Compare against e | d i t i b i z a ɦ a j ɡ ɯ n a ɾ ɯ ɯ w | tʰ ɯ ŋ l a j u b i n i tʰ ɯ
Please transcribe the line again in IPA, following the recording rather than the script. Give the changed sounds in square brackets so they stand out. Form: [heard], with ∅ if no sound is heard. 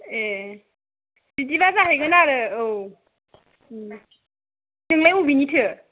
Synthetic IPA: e | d i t i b [a] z a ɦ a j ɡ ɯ n a ɾ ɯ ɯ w | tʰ ɯ ŋ l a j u b i n i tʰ ɯ